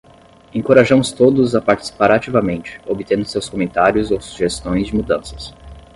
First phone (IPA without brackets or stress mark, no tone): ẽ